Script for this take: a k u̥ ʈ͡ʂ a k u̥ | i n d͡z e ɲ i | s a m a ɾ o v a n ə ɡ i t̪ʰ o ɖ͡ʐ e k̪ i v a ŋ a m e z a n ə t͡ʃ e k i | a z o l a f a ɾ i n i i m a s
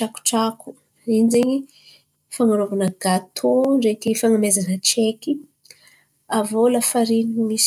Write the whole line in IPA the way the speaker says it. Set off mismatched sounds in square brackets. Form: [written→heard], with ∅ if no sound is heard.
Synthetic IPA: a k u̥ ʈ͡ʂ a k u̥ | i n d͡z e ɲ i | [s→f] a [m→ŋ] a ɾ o v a n ə ɡ [i→a] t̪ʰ o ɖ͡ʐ e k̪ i [v→f] a ŋ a m e z a n ə t͡ʃ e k i | a [z→v] o l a f a ɾ i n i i m [a→i] s